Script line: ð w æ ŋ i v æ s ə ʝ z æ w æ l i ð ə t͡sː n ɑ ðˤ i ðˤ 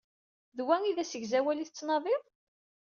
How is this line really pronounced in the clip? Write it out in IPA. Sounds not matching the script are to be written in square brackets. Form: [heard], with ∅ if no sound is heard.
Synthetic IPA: ð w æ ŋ i [ð] æ s ə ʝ z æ w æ l i [θ] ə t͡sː n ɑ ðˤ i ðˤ